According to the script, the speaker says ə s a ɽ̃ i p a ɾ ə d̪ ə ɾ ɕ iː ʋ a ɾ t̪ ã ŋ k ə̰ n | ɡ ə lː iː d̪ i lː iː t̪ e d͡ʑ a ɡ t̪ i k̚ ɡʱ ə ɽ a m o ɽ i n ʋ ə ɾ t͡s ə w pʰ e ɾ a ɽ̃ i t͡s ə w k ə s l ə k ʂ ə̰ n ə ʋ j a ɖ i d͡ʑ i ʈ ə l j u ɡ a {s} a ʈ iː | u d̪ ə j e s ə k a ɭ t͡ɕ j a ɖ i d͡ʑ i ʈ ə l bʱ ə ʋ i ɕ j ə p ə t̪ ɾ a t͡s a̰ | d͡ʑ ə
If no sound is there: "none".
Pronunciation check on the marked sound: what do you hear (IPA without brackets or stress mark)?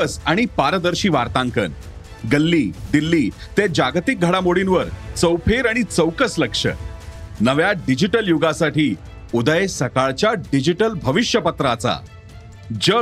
s